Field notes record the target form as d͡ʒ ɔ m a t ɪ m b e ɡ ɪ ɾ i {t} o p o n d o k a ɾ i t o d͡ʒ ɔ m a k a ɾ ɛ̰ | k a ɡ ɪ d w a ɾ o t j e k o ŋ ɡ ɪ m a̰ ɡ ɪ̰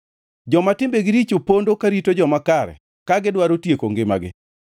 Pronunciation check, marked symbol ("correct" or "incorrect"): incorrect